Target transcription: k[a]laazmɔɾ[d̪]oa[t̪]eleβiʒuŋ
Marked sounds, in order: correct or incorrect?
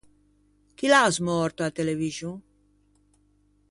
incorrect, incorrect, correct

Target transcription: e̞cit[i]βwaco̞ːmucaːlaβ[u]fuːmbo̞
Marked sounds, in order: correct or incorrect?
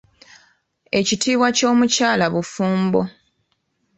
incorrect, correct

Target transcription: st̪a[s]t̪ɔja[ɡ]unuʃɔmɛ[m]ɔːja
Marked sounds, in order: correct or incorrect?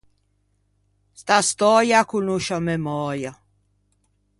correct, incorrect, correct

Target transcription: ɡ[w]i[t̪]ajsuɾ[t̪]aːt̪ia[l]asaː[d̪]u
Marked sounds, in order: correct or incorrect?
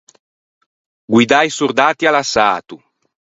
correct, incorrect, incorrect, correct, incorrect

